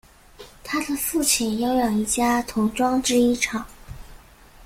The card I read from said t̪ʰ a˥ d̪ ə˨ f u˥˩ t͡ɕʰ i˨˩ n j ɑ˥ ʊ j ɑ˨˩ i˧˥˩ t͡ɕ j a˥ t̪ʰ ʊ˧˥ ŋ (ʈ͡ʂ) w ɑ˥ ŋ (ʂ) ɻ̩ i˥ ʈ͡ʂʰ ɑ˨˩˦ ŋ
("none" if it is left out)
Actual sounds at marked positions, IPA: ʈ͡ʂ, ʈ͡ʂ

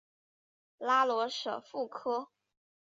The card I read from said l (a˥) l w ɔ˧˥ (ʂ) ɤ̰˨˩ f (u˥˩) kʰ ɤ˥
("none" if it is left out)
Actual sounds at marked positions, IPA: a˥, ʂ, u˥˩

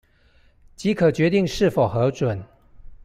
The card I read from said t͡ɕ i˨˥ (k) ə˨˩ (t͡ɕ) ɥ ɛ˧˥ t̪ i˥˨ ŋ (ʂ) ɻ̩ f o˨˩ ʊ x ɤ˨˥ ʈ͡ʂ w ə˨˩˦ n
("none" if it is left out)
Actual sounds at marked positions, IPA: kʰ, t͡ɕ, ʂ

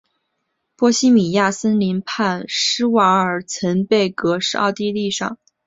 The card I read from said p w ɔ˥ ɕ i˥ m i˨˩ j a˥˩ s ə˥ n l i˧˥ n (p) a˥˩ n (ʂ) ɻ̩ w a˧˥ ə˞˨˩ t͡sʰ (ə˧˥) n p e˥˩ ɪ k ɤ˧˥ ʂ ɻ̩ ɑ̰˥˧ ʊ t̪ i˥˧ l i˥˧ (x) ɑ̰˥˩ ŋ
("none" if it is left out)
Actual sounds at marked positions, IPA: pʰ, ʂ, ə˧˥, ʂ

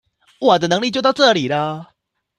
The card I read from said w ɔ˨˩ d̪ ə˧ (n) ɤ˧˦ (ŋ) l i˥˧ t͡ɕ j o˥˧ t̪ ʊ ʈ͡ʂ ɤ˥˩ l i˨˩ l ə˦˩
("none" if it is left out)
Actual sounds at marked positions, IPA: n, ŋ

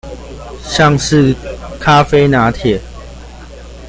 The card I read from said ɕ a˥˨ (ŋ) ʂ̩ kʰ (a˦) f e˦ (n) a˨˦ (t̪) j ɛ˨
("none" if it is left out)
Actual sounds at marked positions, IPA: ŋ, a˦, n, t̪ʰ

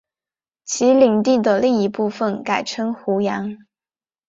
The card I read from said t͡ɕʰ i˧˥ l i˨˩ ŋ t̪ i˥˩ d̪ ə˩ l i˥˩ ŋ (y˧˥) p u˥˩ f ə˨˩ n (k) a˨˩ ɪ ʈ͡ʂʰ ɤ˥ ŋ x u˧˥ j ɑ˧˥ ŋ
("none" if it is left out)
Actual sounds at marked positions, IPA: i˧˥, k

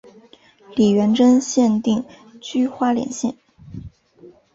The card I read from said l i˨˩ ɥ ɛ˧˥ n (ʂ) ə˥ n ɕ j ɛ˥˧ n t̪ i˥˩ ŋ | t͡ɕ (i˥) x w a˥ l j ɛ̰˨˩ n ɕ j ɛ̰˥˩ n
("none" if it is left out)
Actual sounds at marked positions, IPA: ʈ͡ʂ, y˥

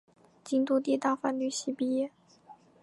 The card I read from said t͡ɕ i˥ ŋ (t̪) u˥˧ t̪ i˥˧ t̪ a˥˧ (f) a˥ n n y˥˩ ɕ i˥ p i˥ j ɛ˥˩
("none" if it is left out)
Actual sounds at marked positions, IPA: t̪, f

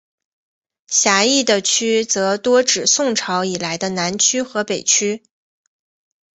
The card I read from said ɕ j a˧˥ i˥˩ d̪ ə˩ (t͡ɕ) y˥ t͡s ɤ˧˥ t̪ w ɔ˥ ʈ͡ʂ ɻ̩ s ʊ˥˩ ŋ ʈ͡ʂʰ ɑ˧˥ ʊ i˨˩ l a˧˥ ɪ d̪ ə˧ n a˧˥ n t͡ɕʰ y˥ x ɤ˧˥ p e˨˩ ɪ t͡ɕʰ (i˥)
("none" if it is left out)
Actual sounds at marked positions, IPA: t͡ɕʰ, y˥

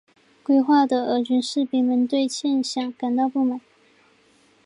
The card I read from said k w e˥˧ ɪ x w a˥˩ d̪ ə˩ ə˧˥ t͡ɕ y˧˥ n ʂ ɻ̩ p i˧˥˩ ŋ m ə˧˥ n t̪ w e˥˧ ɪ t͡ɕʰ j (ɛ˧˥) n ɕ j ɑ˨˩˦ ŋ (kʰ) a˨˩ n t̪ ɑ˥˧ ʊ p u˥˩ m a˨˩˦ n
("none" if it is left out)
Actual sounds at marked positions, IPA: ɛ˥˧, k

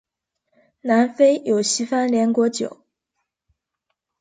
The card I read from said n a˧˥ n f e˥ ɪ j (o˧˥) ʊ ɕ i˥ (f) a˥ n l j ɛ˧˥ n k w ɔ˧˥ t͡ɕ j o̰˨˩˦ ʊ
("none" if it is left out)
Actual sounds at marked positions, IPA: o˨˩, f

